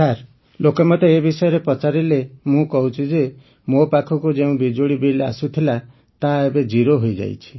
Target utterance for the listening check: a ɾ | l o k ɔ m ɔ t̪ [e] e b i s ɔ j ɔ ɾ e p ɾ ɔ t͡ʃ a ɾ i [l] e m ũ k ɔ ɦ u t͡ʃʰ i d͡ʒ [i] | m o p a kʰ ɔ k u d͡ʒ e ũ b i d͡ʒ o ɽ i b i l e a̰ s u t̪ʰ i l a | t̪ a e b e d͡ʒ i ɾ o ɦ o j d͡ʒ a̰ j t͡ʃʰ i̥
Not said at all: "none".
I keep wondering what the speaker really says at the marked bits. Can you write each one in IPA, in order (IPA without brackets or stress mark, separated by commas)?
e, l, e